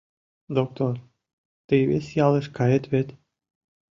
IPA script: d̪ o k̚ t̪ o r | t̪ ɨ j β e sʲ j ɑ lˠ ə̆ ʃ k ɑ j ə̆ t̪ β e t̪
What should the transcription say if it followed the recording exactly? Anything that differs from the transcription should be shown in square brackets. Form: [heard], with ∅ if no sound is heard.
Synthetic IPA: d̪ o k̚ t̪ o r | t̪ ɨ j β e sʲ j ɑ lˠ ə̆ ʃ k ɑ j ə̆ t̪ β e t̪